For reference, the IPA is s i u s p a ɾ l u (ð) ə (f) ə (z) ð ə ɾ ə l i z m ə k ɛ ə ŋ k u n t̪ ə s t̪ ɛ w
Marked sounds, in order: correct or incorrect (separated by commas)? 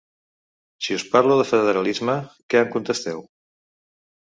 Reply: correct, correct, incorrect